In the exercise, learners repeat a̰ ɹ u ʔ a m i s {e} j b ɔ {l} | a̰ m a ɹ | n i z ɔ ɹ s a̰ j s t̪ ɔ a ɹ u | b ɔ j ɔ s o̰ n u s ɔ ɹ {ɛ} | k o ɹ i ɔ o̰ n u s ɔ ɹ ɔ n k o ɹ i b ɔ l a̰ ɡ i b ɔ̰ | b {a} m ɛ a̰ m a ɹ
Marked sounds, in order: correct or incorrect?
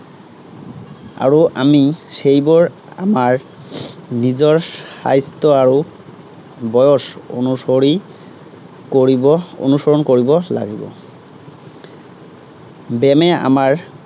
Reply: correct, incorrect: ɹ, incorrect: i, incorrect: ɛ

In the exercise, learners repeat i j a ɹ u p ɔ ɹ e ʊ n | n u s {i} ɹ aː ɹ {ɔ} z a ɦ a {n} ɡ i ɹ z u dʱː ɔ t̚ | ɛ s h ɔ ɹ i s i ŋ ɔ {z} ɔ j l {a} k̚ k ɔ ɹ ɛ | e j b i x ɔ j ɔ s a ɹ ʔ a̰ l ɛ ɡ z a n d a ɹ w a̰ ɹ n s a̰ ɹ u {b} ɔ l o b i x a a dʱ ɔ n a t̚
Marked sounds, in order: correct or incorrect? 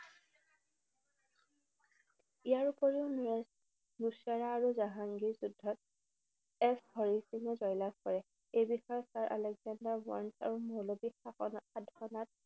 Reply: incorrect: a, incorrect: u, incorrect: ŋ, correct, correct, incorrect: m

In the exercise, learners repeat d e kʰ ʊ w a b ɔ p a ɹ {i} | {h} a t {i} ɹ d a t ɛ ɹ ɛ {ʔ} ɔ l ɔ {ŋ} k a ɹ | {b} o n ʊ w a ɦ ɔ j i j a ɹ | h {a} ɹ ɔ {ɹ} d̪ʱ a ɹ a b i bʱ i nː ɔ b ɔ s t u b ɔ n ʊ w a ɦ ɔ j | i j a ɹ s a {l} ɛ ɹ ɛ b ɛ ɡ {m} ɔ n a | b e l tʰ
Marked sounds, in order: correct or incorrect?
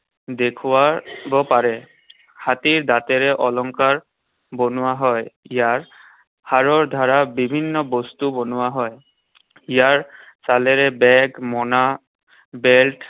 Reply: incorrect: ɛ, correct, correct, correct, correct, correct, correct, correct, correct, correct

